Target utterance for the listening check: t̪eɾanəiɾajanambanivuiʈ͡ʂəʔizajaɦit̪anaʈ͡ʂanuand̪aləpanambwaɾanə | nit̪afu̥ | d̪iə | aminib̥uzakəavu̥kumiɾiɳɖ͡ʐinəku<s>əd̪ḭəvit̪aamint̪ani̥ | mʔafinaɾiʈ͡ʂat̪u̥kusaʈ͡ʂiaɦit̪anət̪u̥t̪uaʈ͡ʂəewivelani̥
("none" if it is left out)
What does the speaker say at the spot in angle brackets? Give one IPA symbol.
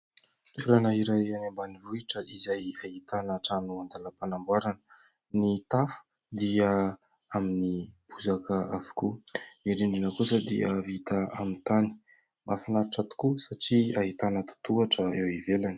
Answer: s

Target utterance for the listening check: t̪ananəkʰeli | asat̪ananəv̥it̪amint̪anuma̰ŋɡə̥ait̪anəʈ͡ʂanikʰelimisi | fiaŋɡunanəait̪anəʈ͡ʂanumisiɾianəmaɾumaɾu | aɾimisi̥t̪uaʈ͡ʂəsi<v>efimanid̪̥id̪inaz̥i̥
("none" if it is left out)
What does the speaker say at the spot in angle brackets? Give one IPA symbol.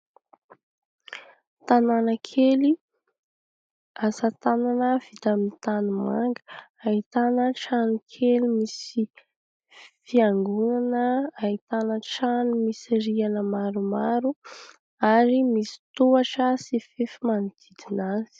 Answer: f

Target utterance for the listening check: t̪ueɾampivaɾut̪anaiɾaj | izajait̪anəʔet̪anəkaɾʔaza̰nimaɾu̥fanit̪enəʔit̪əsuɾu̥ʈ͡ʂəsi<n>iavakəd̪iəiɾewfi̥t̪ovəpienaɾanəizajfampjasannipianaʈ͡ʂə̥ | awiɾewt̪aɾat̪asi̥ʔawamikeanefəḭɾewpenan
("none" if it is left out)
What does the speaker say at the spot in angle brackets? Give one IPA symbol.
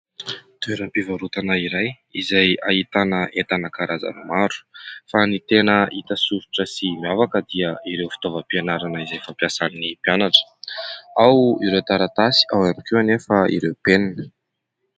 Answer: m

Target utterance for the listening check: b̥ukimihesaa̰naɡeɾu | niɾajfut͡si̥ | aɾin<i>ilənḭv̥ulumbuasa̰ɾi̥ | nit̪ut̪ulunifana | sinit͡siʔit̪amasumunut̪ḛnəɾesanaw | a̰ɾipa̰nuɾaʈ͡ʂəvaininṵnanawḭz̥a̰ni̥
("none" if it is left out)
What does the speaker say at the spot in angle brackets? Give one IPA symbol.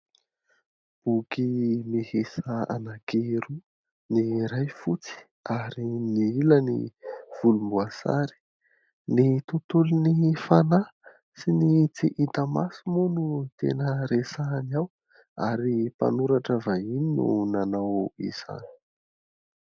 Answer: i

